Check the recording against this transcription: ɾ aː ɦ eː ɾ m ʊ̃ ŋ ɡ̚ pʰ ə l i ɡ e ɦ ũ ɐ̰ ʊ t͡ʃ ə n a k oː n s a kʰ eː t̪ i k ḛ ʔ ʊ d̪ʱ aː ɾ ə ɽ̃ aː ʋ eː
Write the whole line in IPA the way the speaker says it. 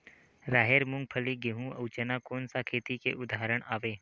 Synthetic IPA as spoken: ɾ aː ɦ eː ɾ m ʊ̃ ŋ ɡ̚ pʰ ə l i ɡ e ɦ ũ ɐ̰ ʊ t͡ʃ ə n a k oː n s a kʰ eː t̪ i k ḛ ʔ ʊ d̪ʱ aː ɾ ə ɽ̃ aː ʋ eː